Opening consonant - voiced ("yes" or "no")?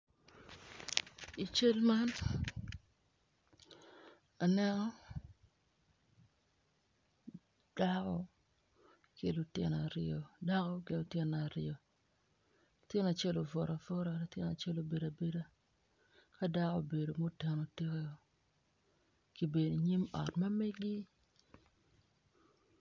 no